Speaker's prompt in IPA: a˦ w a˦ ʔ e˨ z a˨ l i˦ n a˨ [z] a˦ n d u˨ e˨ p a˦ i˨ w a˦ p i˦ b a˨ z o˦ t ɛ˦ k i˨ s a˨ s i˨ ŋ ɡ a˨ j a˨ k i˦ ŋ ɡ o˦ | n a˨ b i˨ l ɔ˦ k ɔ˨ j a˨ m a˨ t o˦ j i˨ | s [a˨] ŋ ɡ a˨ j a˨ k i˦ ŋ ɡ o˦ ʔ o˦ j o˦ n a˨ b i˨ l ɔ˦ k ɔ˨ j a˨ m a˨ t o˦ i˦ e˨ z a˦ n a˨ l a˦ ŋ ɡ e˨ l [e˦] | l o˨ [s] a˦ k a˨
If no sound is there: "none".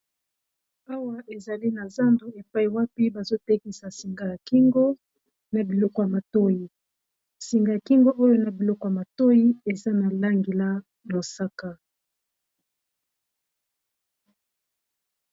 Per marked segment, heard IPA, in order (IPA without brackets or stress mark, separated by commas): z, i˨, a˦, s